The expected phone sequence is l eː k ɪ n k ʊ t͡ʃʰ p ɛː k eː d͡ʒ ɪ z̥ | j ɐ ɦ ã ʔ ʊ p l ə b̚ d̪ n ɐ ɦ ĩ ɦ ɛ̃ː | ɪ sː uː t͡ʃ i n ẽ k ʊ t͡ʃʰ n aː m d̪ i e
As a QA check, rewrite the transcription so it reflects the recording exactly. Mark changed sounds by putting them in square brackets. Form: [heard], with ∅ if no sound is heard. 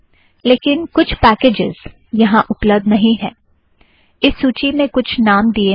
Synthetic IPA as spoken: l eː k ɪ n k ʊ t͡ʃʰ p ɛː k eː d͡ʒ ɪ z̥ | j ɐ ɦ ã ʔ ʊ p l ə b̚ d̪ n ɐ ɦ ĩ ɦ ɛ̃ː | ɪ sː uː t͡ʃ i [m] ẽ k ʊ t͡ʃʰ n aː m d̪ i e